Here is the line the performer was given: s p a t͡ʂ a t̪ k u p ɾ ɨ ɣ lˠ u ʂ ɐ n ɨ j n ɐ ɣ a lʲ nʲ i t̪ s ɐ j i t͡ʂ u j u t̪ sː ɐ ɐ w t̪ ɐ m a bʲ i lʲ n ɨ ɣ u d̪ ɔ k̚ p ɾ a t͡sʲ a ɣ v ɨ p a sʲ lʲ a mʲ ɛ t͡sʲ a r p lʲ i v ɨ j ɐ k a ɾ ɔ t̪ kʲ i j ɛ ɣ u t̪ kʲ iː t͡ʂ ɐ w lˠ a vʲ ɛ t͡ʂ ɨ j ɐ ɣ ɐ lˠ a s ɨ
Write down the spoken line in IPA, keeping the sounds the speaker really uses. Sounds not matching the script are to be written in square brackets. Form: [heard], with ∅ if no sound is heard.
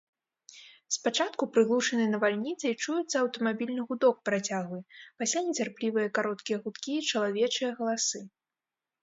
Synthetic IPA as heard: s p a t͡ʂ a t̪ k u p ɾ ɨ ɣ lˠ u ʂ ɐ n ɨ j n ɐ [v] a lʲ nʲ i t̪ s ɐ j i t͡ʂ u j u t̪ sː ɐ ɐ w t̪ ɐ m a bʲ i lʲ n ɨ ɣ u d̪ ɔ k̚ p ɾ a t͡sʲ a ɣ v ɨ p a sʲ lʲ a [nʲ] ɛ t͡sʲ a r p lʲ i v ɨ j ɐ k a ɾ ɔ t̪ kʲ i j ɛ ɣ u t̪ kʲ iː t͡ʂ ɐ [∅] lˠ a vʲ ɛ t͡ʂ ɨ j ɐ ɣ ɐ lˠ a s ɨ